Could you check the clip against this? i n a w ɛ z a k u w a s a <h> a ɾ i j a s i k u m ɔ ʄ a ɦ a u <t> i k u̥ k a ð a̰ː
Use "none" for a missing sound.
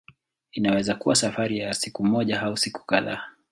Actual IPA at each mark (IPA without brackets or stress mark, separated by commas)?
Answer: f, s